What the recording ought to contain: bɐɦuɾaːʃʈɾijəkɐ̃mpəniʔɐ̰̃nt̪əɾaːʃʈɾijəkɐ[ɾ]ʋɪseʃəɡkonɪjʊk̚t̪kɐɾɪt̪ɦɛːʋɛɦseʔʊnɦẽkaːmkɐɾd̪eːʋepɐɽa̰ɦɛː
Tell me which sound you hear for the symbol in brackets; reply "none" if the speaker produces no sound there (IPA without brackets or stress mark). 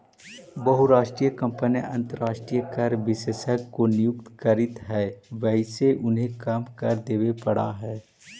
ɾ